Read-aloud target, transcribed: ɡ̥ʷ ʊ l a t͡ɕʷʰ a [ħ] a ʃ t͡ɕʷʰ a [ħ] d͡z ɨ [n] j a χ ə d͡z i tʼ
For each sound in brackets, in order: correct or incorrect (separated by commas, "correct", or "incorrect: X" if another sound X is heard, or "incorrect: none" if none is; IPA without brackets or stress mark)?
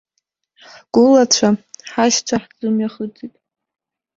correct, correct, incorrect: m